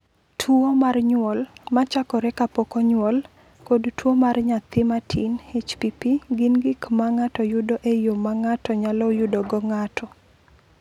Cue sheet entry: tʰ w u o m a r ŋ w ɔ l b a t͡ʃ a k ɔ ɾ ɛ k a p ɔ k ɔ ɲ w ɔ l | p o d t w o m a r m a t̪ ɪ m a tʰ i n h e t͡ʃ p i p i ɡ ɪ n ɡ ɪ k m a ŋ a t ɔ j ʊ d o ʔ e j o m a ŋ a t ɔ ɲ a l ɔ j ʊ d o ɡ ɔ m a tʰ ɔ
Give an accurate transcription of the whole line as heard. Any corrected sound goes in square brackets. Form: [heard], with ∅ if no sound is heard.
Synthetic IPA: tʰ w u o m a r [ɲ] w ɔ l [m] a t͡ʃ a k ɔ ɾ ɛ k a p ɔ k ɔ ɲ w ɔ l | [k] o d t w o m a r [ɲ] a t̪ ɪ m a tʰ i n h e t͡ʃ p i p i ɡ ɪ n ɡ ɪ k m a ŋ a t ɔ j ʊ d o ʔ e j o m a ŋ a t ɔ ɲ a l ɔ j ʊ d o ɡ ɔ [ŋ] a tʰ ɔ